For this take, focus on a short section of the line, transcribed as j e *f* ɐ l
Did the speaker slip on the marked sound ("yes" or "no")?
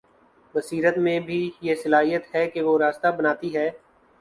yes